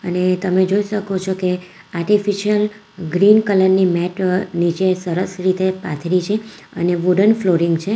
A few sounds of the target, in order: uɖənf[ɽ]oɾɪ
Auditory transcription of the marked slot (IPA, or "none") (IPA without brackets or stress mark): l